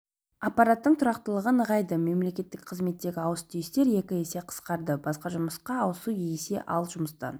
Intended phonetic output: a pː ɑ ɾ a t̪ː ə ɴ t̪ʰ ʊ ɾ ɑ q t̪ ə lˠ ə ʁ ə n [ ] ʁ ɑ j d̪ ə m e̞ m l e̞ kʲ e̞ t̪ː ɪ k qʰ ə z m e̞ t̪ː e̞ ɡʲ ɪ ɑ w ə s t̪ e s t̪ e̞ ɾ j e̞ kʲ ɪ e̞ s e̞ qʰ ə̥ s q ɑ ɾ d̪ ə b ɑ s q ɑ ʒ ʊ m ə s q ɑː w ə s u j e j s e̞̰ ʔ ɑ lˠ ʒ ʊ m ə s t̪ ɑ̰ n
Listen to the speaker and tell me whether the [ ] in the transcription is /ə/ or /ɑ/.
ə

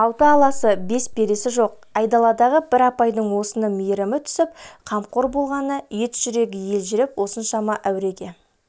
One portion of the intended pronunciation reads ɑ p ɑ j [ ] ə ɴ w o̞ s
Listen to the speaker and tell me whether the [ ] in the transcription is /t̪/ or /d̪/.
d̪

